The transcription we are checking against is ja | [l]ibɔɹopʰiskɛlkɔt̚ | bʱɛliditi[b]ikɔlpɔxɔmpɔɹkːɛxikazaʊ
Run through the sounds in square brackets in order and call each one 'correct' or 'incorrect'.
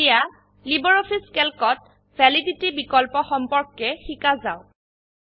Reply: correct, correct

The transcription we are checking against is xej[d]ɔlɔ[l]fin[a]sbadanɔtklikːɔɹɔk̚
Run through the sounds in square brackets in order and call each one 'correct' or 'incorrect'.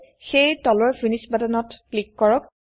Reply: incorrect: t, incorrect: ɹ, incorrect: i

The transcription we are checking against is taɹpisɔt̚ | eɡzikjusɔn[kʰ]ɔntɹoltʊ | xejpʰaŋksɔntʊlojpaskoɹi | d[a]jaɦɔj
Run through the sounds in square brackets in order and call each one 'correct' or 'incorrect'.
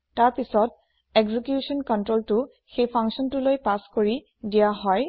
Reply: incorrect: k, incorrect: i

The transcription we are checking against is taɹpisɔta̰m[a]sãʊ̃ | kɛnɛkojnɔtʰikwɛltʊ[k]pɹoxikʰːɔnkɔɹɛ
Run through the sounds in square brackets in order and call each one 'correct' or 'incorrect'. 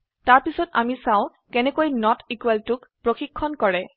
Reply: incorrect: i, correct

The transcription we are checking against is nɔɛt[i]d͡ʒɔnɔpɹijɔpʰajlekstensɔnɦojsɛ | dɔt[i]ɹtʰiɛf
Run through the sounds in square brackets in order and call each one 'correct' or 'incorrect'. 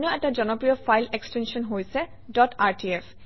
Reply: incorrect: a, incorrect: a

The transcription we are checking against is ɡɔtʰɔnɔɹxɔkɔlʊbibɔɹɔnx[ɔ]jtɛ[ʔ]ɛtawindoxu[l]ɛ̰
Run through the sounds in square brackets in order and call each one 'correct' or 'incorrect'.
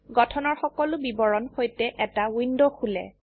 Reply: incorrect: o, correct, correct

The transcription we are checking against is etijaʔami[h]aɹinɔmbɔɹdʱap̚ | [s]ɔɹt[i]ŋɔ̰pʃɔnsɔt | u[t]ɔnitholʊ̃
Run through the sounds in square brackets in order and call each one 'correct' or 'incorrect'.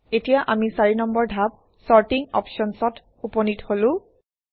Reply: incorrect: s, correct, correct, incorrect: p

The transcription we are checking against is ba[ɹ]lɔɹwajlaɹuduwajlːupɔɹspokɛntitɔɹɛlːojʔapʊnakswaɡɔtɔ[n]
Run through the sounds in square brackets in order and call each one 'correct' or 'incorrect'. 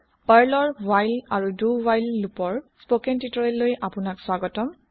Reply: correct, incorrect: m

